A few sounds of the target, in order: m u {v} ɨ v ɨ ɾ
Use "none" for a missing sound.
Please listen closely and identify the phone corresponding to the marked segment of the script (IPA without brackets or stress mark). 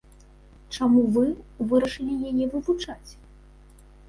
v